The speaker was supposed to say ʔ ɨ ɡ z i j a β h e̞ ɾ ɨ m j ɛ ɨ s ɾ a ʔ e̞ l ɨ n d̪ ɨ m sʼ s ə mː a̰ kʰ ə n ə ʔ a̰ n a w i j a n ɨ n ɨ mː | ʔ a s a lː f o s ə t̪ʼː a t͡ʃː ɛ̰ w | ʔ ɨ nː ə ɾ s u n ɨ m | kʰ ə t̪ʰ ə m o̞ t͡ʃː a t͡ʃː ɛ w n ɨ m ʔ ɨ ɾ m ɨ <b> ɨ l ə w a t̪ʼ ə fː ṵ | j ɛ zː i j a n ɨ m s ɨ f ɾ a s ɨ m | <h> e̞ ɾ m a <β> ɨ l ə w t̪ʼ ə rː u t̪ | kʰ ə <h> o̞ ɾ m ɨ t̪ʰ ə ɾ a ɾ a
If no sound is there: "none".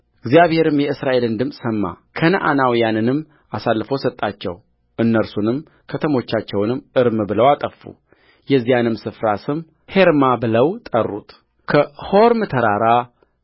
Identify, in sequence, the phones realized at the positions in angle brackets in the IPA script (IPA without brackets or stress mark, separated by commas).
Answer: b, h, b, h